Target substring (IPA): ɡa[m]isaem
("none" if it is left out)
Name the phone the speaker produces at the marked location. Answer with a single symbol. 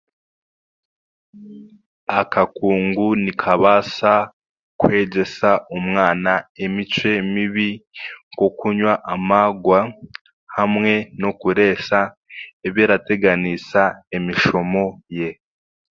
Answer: n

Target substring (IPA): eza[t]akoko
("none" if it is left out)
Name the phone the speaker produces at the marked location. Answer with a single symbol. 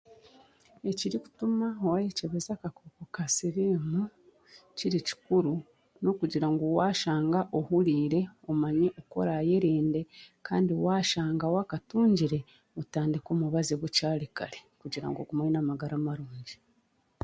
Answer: k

